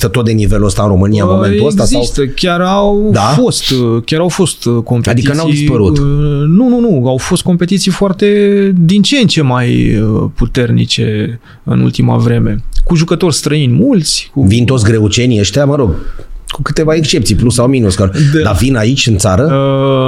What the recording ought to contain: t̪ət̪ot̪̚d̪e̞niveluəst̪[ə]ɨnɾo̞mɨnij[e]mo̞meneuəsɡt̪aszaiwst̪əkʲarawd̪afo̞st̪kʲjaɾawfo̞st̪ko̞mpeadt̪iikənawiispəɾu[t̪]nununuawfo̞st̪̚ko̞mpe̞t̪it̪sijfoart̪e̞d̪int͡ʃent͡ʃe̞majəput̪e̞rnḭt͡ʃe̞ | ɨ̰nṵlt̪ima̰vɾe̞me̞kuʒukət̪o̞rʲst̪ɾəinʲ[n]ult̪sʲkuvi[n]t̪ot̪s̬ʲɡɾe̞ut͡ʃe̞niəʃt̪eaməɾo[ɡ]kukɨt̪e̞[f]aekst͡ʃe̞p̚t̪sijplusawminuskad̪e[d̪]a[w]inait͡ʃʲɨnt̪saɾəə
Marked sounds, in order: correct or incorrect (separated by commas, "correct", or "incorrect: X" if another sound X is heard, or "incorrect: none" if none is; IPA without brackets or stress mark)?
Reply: incorrect: a, incorrect: a, correct, incorrect: m, correct, correct, incorrect: v, correct, incorrect: v